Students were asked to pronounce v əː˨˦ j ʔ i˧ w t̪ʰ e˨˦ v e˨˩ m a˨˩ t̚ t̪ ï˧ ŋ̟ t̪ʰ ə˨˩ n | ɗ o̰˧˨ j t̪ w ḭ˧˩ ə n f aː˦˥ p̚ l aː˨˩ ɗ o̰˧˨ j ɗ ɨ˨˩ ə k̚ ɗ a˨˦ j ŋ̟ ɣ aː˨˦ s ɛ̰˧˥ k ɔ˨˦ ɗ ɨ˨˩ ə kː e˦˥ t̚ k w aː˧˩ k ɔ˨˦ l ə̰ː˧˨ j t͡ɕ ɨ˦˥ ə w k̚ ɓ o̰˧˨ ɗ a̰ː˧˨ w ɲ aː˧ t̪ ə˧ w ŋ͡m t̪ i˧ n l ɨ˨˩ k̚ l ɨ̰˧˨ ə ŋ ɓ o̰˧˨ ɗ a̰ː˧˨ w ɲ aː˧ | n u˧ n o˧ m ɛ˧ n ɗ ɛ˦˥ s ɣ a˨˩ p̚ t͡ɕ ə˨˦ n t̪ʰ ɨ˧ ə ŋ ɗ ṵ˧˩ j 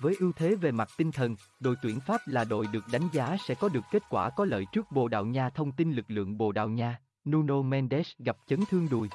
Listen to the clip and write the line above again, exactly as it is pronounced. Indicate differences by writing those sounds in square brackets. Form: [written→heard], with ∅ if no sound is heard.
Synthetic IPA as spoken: v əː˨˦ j ʔ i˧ w t̪ʰ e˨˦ v e˨˩ m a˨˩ t̚ t̪ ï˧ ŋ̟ t̪ʰ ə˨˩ n | ɗ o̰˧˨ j t̪ w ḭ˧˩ ə n f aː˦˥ p̚ l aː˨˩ ɗ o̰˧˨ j ɗ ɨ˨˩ ə k̚ ɗ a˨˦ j ŋ̟ [ɣ→z] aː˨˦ s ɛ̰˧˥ k ɔ˨˦ ɗ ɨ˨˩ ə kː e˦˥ t̚ k w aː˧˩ k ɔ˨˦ l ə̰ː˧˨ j t͡ɕ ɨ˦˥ ə [w→∅] k̚ ɓ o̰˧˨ ɗ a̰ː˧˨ w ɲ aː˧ [t̪→t̪ʰ] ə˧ w ŋ͡m t̪ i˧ n l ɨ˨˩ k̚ l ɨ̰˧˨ ə ŋ ɓ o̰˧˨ ɗ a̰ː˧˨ w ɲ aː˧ | n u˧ n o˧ m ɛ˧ n ɗ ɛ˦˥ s ɣ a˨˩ p̚ t͡ɕ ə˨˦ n t̪ʰ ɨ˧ ə ŋ ɗ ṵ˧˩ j